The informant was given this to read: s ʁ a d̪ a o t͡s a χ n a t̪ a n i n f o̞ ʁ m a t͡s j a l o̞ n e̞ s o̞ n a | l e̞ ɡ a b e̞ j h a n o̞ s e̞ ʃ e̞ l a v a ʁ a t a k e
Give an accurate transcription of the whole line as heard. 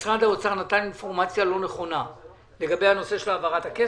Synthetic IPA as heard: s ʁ a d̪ a o t͡s a ʁ n a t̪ a n i n f o̞ ʁ m a t͡s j a l o̞ n e̞ χ o̞ n a | l e̞ ɡ a b e̞ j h a n o̞ s e̞ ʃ e̞ l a v a ʁ a t a k e